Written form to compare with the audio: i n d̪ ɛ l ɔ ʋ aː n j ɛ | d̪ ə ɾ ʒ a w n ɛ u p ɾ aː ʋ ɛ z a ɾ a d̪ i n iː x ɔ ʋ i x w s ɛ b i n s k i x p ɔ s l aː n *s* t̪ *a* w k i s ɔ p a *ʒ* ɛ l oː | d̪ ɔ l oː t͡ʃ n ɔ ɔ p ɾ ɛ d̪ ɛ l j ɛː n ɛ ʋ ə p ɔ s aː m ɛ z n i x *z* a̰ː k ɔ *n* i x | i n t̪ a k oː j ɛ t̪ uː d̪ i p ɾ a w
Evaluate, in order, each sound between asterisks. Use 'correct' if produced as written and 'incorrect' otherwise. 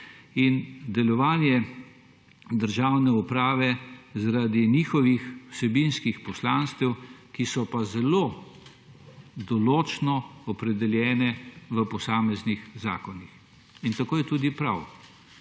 correct, incorrect, incorrect, correct, correct

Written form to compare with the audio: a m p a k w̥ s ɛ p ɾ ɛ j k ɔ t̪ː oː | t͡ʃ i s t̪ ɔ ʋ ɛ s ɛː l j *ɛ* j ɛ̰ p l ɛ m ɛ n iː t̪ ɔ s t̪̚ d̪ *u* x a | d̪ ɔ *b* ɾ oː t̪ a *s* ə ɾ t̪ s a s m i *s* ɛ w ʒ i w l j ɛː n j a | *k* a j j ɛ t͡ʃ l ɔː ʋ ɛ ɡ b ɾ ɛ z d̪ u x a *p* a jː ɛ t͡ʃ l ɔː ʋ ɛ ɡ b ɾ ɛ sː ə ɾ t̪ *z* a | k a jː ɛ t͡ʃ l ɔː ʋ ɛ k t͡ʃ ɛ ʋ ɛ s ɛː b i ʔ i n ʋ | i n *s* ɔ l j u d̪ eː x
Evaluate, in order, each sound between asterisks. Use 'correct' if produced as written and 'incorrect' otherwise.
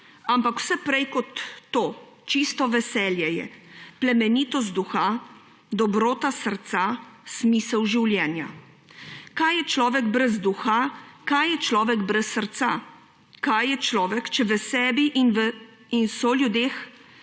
correct, correct, correct, correct, correct, correct, incorrect, incorrect, correct

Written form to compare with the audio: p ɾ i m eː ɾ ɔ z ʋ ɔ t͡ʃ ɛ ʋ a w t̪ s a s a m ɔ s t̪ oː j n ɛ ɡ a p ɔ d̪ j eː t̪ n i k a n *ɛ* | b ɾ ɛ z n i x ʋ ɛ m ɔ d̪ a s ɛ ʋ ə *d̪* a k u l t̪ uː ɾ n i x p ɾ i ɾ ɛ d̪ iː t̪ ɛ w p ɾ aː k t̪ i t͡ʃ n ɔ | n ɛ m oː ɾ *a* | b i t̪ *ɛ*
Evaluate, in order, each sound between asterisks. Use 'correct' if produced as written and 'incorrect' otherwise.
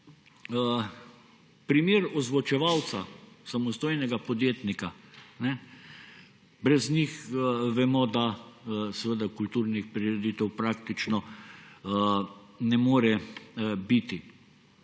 correct, correct, incorrect, incorrect

